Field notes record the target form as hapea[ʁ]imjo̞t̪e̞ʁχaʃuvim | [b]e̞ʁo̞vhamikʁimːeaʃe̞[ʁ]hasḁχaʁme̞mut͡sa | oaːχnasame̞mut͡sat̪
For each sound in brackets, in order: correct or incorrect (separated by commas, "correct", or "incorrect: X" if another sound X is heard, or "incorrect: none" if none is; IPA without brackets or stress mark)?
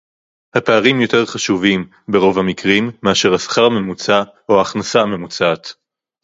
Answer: correct, correct, correct